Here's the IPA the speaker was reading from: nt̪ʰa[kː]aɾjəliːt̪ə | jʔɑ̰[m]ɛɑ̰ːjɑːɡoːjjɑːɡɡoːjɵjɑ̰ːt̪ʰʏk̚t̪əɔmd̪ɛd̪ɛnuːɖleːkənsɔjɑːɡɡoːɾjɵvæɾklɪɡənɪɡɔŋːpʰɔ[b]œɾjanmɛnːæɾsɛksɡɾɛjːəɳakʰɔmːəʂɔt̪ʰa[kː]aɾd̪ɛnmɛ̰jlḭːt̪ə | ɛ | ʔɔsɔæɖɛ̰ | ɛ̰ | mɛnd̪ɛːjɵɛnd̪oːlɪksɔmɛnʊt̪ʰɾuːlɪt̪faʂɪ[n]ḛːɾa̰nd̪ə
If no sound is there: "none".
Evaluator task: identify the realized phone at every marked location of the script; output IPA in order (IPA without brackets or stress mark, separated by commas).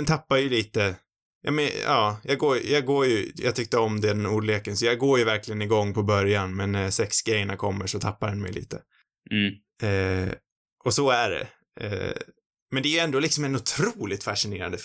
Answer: pː, m, b, pː, n